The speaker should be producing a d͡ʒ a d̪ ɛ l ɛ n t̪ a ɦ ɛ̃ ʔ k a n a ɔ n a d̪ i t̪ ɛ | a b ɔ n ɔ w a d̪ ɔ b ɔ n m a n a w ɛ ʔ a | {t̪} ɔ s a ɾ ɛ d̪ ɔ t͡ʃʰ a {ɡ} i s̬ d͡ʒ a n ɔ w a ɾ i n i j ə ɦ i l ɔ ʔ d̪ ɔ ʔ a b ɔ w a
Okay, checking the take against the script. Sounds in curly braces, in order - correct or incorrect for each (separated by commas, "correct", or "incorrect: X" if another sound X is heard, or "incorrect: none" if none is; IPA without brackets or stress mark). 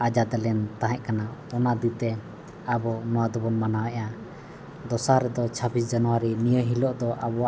incorrect: d̪, incorrect: b